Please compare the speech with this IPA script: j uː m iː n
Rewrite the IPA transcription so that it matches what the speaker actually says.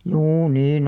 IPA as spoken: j uː n iː n